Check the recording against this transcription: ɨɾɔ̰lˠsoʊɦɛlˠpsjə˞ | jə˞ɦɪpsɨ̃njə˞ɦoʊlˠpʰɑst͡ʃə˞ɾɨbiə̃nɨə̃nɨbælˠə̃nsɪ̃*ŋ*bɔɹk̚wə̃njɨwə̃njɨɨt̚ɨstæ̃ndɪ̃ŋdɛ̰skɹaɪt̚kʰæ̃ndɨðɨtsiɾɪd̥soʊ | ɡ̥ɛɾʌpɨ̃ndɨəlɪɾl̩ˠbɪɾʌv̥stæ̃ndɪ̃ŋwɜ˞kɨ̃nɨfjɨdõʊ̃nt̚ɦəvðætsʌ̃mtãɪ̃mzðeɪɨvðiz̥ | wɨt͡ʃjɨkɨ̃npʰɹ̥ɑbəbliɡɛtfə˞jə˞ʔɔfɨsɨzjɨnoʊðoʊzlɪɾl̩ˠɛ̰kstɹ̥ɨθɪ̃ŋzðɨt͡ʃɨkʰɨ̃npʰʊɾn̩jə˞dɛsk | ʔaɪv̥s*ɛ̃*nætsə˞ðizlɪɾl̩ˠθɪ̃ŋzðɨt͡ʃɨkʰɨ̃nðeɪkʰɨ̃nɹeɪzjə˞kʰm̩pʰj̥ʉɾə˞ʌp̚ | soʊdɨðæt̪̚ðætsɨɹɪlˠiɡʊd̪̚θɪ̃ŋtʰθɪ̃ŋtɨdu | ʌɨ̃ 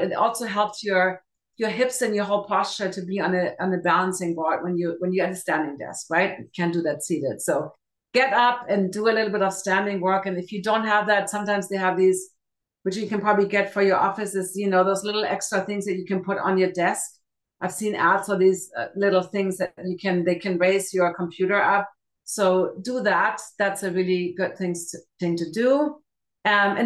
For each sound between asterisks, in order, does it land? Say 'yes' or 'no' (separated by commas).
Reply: yes, no